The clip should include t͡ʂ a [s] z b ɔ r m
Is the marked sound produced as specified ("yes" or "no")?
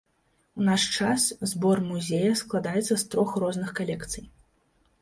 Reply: yes